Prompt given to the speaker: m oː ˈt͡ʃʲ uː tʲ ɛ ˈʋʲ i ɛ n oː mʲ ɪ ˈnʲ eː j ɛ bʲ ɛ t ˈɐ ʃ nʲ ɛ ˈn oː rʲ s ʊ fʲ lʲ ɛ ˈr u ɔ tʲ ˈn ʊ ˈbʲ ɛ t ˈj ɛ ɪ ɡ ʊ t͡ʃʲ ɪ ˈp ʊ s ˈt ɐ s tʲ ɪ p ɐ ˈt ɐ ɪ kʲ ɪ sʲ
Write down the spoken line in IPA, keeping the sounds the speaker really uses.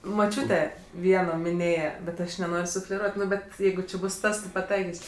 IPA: m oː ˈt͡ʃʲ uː tʲ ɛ ˈʋʲ i ɛ n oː mʲ ɪ ˈnʲ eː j ɛ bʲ ɛ t ˈɐ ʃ nʲ ɛ ˈn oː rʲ s ʊ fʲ lʲ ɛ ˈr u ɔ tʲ ˈn ʊ ˈbʲ ɛ t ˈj ɛ ɪ ɡ ʊ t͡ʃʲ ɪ ˈb ʊ s ˈt ɐ s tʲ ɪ p ɐ ˈt ɐ ɪ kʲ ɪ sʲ

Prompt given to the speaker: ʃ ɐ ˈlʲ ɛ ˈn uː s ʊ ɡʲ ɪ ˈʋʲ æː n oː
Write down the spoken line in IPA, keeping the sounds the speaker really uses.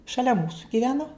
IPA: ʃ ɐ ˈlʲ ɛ ˈm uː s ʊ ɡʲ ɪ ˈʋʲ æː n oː

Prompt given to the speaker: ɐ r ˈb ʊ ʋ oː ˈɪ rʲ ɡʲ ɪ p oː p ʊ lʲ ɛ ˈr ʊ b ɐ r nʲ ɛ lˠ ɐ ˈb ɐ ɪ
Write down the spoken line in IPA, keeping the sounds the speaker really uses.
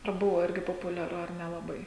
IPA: ɐ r ˈb ʊ ʋ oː ˈɪ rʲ ɡʲ ɪ p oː p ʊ lʲ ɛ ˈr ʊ ɐ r nʲ ɛ lˠ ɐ ˈb ɐ ɪ

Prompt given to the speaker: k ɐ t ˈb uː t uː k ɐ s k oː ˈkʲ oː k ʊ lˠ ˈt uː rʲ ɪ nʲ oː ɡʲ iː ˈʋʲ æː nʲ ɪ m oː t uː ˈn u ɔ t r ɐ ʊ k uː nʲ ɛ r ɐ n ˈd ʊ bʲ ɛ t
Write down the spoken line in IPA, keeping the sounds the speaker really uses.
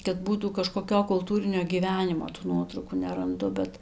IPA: k ɐ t ˈb uː t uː k ɐ ʃ k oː ˈkʲ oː k ʊ lˠ ˈt uː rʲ ɪ nʲ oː ɡʲ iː ˈʋʲ æː nʲ ɪ m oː t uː ˈn u ɔ t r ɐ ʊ k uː nʲ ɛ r ɐ n ˈd ʊ bʲ ɛ t

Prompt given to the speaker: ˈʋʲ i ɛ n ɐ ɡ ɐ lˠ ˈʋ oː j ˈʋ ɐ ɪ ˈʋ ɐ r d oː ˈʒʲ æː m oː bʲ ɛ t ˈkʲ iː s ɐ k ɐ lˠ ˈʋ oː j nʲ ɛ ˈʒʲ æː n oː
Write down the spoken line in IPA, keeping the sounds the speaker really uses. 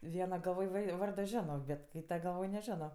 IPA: ˈʋʲ i ɛ n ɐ ɡ ɐ lˠ ˈʋ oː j ˈʋ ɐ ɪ ˈʋ ɐ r d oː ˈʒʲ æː n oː bʲ ɛ t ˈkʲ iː t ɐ ɡ ɐ lˠ ˈʋ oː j nʲ ɛ ˈʒʲ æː n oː

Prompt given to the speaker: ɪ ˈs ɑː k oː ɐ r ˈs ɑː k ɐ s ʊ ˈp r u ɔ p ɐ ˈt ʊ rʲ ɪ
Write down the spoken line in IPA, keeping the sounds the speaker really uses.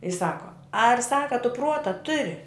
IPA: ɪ ˈs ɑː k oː ɐ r ˈs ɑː k ɐ t ʊ ˈp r u ɔ t ɐ ˈt ʊ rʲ ɪ

